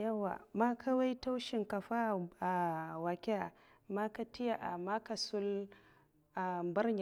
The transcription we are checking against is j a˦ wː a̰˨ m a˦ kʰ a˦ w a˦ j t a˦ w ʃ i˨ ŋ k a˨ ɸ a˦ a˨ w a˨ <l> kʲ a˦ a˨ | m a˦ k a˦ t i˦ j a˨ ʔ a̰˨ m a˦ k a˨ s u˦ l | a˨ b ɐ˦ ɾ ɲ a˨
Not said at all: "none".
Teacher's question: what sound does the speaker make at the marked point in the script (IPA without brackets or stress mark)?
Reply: none